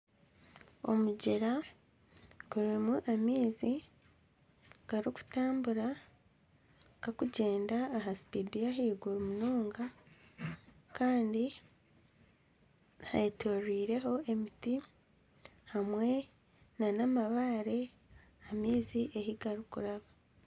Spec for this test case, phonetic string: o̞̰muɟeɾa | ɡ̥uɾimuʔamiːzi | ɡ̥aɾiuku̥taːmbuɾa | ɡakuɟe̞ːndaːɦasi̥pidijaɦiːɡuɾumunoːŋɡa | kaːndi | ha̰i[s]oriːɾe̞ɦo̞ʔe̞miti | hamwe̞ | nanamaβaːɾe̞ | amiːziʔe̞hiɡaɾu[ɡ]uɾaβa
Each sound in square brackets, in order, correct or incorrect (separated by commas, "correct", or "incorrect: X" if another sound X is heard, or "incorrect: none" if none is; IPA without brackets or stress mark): incorrect: t, incorrect: k